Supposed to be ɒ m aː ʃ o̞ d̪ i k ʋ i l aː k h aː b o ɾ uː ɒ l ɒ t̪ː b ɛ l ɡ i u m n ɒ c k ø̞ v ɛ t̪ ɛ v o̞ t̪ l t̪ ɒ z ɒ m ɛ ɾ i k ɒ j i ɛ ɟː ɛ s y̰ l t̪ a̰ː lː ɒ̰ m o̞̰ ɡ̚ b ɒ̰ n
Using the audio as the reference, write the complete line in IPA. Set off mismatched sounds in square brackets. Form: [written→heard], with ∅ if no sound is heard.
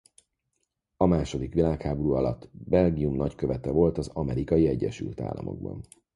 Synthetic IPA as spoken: ɒ m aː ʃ o̞ d̪ i k ʋ i l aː k h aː b o ɾ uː ɒ l ɒ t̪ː b ɛ l ɡ i u m n ɒ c k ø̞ v ɛ t̪ ɛ v o̞ [t̪→∅] l t̪ ɒ z ɒ m ɛ ɾ i k ɒ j i ɛ ɟː ɛ [s→ʃ] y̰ l t̪ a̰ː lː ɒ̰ m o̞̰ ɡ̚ b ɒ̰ n